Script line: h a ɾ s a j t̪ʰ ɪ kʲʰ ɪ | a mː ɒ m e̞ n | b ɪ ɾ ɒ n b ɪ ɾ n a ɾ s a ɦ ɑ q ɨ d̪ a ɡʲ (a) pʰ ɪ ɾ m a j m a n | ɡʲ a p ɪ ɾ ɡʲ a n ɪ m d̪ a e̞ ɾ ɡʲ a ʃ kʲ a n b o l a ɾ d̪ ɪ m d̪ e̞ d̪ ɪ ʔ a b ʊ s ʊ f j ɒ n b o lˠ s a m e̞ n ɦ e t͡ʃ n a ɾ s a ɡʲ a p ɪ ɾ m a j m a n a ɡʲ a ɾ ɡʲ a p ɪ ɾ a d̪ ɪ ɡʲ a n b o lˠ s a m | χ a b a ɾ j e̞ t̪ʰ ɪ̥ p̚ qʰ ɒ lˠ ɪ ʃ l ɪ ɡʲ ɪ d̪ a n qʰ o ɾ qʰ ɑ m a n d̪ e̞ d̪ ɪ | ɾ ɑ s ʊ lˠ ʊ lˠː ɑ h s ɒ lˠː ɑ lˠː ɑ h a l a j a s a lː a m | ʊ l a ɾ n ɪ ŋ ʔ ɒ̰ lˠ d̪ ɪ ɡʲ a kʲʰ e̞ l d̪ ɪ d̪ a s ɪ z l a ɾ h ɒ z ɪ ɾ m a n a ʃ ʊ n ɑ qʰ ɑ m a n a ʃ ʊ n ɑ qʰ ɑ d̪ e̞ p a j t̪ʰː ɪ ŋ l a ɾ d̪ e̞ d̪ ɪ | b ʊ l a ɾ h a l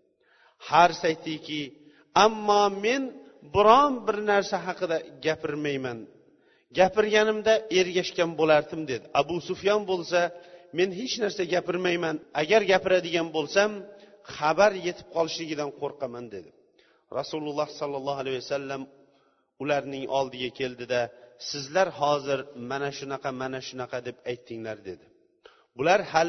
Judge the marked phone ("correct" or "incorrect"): correct